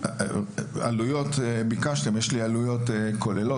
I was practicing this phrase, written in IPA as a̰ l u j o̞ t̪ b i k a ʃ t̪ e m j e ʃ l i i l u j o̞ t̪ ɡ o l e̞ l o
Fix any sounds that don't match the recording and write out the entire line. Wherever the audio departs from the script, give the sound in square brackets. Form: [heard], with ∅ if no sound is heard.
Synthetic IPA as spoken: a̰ l u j o̞ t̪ b i k a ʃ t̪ e m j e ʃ l i [a] l u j o̞ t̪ [k] o l e̞ l o